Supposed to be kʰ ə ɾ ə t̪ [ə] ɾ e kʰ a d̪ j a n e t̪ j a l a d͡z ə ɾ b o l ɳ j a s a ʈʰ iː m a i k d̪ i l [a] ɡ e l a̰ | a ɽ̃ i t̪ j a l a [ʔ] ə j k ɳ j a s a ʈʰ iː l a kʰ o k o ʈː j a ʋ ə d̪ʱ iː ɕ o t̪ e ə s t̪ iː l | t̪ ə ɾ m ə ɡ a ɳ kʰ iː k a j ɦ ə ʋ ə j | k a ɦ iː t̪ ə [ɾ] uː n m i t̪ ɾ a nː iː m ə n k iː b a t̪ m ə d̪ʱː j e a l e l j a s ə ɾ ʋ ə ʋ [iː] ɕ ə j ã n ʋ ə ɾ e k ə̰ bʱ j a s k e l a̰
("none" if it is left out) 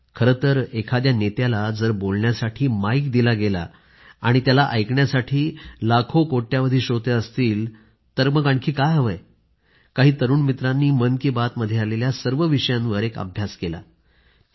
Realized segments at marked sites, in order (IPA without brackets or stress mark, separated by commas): ə, a, ʔ, ɾ, i